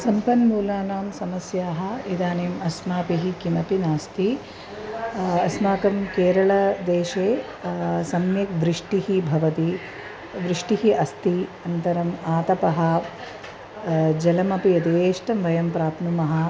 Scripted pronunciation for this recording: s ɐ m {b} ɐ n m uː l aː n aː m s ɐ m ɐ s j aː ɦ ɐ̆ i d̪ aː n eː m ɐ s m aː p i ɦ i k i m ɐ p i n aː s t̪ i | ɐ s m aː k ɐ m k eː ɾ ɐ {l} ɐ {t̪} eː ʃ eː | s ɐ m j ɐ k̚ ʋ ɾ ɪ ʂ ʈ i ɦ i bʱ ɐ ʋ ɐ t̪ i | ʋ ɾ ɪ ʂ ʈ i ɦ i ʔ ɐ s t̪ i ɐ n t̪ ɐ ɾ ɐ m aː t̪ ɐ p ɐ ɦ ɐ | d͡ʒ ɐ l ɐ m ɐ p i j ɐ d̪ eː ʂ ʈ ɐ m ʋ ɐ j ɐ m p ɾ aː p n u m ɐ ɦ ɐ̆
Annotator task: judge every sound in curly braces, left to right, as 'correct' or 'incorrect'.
incorrect: p, incorrect: ɭ, incorrect: d̪

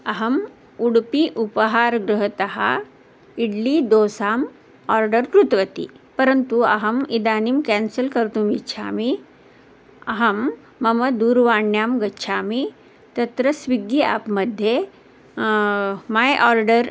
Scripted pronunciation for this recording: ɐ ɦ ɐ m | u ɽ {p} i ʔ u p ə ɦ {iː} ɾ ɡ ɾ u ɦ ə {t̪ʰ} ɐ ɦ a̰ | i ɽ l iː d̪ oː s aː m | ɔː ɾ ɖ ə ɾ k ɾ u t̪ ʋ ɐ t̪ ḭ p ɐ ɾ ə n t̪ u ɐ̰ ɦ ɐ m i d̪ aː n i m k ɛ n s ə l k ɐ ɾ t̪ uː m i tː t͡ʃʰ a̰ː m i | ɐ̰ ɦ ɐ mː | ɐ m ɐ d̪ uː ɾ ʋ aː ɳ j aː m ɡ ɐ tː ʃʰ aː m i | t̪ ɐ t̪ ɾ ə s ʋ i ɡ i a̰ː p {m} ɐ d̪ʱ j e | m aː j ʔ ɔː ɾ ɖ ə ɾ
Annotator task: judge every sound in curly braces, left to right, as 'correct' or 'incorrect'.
correct, incorrect: aː, incorrect: t̪, correct

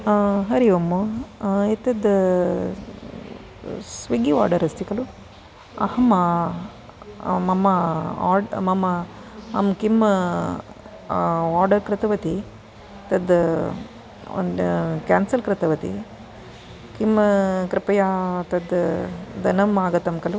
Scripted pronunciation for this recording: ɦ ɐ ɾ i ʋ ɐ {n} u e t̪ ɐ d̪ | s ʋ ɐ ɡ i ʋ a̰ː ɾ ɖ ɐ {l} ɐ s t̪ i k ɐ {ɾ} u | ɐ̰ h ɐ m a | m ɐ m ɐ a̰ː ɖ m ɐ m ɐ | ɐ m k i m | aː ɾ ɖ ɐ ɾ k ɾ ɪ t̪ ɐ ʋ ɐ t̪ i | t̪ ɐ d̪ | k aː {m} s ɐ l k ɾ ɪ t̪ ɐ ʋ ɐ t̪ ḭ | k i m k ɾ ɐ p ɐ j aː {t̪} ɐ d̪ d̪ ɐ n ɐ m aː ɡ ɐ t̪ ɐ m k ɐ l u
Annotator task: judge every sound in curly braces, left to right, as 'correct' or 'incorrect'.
incorrect: m, incorrect: ɾ, incorrect: l, incorrect: n, correct

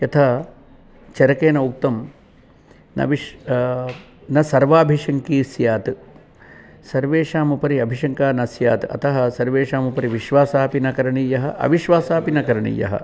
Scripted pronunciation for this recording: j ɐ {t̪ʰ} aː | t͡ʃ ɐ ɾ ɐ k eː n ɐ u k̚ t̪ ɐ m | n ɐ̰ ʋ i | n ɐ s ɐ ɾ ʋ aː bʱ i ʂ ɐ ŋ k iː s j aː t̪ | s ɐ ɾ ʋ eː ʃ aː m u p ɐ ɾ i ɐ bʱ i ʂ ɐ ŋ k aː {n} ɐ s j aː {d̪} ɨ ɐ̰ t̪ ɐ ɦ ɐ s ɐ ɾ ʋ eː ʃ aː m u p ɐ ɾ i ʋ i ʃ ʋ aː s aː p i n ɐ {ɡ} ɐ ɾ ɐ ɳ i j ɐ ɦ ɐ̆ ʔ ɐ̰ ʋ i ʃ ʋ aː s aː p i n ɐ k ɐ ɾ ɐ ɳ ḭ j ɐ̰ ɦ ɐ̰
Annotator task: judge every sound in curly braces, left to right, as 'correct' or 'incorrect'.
correct, correct, incorrect: t̪, incorrect: k

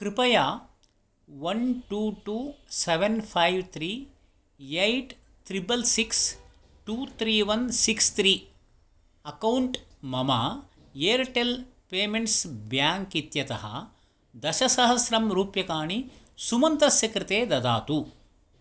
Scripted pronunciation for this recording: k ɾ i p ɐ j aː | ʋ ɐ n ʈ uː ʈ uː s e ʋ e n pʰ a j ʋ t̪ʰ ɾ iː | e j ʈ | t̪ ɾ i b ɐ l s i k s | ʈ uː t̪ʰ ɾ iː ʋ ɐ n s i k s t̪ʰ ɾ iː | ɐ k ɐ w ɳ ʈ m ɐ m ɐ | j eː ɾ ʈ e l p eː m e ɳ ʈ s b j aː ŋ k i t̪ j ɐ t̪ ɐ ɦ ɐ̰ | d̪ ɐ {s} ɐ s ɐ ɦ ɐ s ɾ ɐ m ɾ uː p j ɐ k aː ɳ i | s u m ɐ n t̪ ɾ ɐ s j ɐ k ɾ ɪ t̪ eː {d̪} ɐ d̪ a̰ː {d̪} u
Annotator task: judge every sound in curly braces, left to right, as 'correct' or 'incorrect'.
incorrect: ʃ, correct, incorrect: t̪

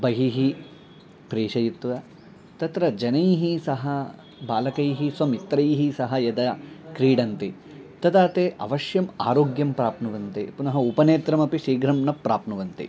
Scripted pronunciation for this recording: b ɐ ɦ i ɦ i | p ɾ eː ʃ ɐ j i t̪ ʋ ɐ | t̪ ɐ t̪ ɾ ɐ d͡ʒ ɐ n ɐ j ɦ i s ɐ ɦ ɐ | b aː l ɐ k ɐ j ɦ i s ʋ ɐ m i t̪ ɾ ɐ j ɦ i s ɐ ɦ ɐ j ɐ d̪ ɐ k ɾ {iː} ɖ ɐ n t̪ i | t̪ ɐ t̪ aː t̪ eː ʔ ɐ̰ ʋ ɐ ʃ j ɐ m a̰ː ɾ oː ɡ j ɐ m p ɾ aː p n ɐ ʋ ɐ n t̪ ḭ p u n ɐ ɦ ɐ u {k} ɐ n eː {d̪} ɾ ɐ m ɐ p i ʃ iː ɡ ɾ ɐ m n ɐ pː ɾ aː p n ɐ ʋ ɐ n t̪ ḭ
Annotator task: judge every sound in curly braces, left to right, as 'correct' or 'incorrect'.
correct, incorrect: p, incorrect: t̪

